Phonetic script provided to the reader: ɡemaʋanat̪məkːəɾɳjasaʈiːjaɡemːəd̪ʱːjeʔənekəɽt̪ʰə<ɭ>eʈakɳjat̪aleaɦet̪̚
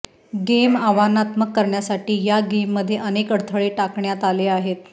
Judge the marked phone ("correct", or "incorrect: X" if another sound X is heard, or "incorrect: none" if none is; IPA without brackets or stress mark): correct